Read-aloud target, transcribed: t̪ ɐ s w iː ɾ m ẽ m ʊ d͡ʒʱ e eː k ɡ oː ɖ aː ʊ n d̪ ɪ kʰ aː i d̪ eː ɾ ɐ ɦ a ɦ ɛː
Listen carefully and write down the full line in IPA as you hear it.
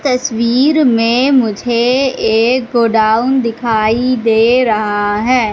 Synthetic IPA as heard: t̪ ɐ s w iː ɾ m ẽ m ʊ d͡ʒʱ e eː k ɡ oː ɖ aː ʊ n d̪ ɪ kʰ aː i d̪ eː ɾ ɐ ɦ a ɦ ɛː